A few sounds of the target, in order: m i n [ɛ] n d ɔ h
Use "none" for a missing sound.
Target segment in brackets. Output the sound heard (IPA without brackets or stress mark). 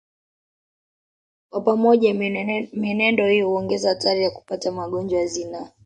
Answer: ɛ